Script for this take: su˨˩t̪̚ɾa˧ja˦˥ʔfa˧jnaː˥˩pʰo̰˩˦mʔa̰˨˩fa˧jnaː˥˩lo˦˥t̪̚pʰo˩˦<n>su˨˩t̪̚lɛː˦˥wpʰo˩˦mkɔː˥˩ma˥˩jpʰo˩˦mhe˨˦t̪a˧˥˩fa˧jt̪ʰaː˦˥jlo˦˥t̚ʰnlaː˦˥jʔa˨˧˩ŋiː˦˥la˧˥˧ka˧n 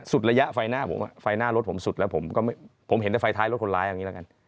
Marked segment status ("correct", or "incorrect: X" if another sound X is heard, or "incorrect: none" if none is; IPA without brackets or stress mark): incorrect: m